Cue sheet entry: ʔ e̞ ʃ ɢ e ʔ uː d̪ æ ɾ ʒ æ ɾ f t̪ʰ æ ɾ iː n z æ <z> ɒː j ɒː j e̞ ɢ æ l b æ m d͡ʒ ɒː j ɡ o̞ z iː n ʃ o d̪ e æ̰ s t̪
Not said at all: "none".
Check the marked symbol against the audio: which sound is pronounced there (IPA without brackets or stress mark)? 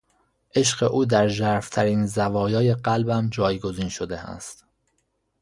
v